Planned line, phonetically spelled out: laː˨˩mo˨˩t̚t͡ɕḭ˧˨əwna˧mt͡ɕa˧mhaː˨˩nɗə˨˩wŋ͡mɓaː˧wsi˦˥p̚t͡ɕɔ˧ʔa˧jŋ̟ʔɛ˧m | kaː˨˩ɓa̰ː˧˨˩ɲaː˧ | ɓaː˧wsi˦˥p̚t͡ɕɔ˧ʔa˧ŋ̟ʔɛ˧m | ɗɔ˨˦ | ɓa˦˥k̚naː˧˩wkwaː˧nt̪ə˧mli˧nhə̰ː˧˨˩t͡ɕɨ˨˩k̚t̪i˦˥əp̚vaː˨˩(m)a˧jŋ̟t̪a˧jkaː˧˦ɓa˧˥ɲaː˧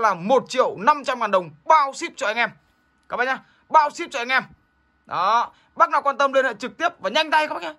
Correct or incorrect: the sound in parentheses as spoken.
incorrect: ɲ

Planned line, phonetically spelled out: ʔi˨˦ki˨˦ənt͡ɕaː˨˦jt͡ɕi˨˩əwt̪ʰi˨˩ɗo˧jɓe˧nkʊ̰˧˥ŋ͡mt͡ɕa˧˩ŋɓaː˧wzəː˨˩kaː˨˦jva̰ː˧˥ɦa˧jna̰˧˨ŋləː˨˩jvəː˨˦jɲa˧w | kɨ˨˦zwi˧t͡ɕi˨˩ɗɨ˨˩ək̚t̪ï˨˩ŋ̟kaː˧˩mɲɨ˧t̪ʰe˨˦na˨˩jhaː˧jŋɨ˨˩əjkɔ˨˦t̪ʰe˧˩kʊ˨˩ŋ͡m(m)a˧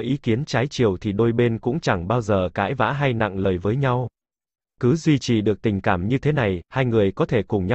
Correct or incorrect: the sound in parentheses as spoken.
incorrect: ɲ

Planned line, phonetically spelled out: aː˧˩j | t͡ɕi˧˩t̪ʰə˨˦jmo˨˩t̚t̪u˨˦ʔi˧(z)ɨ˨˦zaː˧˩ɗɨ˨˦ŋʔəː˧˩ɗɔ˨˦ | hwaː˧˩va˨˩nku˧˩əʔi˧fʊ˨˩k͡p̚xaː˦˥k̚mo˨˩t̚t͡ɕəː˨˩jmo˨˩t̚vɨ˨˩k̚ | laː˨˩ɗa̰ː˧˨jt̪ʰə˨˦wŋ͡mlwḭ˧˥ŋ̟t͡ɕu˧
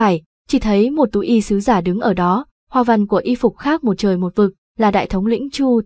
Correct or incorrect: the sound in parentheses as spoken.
incorrect: s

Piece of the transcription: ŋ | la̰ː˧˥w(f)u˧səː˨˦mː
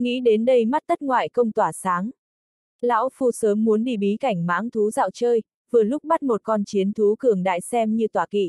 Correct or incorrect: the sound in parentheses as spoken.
correct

